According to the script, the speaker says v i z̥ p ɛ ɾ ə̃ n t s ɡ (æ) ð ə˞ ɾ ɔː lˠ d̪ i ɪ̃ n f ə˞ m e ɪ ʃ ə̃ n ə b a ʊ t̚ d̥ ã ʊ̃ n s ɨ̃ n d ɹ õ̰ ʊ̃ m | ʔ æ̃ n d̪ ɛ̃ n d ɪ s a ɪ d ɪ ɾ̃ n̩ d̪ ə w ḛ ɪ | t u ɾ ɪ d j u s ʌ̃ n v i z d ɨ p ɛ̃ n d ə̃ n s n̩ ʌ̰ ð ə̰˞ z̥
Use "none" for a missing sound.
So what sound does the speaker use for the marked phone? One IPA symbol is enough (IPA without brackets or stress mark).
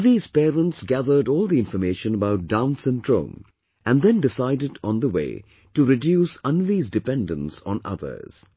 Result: æ